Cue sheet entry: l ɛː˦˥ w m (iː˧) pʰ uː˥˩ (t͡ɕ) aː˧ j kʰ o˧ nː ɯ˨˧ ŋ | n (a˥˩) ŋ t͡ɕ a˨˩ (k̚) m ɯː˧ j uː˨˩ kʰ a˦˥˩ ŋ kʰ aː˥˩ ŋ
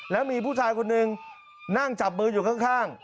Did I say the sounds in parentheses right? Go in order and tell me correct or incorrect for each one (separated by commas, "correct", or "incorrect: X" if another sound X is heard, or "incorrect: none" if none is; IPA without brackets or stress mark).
correct, incorrect: t͡ɕʰ, correct, incorrect: p̚